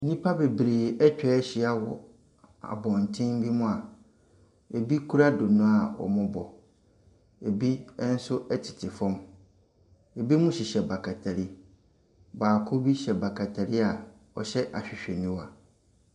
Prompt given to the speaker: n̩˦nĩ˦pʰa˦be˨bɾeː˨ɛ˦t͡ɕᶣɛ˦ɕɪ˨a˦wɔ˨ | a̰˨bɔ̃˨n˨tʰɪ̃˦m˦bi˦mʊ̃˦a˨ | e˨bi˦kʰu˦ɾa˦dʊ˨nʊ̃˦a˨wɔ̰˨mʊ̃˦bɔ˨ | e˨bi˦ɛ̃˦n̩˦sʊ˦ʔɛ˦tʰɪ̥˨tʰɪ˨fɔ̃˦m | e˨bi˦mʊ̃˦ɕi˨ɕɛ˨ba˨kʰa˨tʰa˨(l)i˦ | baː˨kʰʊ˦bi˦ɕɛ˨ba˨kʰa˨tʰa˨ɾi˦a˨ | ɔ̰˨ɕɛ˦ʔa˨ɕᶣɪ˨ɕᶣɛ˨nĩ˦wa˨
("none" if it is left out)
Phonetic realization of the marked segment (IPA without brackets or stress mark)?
ɾ